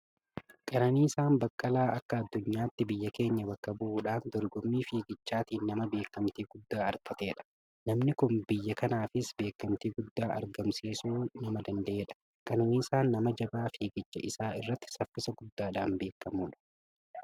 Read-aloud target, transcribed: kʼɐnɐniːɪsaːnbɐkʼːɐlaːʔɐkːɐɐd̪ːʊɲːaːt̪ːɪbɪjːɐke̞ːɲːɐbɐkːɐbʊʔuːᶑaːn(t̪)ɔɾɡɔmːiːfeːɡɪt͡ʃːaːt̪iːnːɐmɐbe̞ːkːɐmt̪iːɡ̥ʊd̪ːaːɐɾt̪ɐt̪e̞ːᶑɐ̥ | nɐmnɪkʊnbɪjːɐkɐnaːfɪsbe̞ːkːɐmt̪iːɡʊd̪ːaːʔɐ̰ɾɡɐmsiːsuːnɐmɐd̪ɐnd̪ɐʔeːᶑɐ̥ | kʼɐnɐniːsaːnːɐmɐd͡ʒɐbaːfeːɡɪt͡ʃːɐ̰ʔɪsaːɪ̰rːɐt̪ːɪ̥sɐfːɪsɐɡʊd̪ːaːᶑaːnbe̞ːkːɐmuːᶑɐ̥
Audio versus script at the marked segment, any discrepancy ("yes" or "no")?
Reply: yes